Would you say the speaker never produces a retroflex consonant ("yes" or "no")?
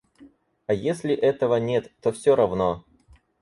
yes